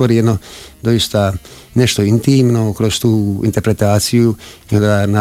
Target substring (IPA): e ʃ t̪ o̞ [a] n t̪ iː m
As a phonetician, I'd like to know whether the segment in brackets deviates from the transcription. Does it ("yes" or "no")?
yes